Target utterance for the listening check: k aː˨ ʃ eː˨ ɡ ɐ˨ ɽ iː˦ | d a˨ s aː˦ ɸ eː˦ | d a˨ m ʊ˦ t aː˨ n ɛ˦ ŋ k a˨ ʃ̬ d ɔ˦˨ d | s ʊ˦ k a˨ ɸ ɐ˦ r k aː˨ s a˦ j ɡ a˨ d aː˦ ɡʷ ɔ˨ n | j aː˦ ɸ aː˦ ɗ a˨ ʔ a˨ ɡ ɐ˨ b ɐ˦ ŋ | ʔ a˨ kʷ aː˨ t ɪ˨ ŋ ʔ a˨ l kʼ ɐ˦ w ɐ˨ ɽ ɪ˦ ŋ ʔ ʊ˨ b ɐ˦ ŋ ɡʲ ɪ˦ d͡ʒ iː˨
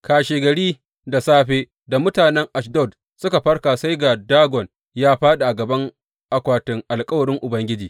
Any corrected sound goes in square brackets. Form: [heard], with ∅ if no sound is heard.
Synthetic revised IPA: k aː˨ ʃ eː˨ ɡ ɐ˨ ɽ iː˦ | d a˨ s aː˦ ɸ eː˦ | d a˨ m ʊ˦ t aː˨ n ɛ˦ ŋ [ʔ] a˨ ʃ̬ d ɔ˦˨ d | s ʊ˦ k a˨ ɸ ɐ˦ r k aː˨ s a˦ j ɡ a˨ d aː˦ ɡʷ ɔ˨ n | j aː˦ ɸ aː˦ ɗ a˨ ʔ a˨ ɡ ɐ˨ b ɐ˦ ŋ | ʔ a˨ kʷ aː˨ t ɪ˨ ŋ ʔ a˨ l kʼ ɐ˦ w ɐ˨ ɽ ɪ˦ ŋ ʔ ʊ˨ b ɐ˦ ŋ ɡʲ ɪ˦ d͡ʒ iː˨